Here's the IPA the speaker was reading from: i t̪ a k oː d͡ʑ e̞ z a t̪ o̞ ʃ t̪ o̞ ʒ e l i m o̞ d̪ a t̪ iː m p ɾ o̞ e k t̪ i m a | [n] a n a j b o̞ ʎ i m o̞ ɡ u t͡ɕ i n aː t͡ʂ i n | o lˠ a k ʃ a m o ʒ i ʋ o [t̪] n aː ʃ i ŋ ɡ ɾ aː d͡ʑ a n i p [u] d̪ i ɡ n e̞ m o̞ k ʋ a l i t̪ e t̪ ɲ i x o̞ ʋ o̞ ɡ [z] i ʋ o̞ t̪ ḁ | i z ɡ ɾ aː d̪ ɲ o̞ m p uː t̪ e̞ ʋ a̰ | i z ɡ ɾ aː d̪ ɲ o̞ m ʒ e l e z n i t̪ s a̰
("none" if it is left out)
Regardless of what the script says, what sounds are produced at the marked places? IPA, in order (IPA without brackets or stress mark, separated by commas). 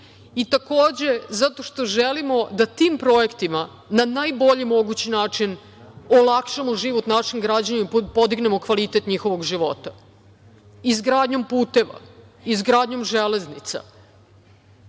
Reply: n, t̪, o, ʒ